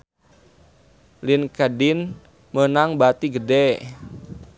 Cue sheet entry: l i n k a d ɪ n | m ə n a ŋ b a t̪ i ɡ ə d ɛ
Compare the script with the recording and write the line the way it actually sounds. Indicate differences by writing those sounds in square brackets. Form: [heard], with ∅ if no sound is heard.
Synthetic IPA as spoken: l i n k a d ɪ n | m ə n a ŋ b a t̪ i ɡ ə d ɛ

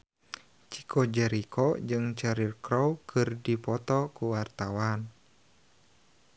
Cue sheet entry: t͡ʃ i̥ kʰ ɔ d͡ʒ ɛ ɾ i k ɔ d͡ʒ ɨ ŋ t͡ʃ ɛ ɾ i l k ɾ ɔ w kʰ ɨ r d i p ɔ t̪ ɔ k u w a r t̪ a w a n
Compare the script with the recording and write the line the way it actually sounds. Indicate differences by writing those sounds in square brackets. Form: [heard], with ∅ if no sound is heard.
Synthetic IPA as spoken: t͡ʃ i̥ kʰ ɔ d͡ʒ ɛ ɾ i k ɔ d͡ʒ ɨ ŋ t͡ʃ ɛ ɾ i [r] k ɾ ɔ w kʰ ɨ r d i p ɔ t̪ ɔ k u w a r t̪ a w a n

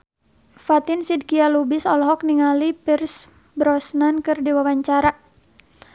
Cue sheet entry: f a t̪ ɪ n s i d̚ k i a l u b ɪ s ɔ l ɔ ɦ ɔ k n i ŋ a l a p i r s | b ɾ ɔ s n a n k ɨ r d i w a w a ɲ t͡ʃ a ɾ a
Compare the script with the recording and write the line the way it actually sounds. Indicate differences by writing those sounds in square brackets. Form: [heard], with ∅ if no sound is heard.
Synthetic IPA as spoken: f a t̪ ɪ n s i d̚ k i a l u b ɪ s ɔ l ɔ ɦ ɔ k n i ŋ a l [i] p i r s | b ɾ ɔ s n a n k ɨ r d i w a w a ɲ t͡ʃ a ɾ a

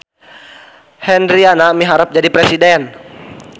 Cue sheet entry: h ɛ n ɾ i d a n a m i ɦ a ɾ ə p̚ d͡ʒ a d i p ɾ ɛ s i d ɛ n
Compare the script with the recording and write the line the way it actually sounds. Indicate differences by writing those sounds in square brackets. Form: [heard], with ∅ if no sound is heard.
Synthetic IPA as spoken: h ɛ n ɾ i [∅] a n a m i ɦ a ɾ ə p̚ d͡ʒ a d i p ɾ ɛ s i d ɛ n

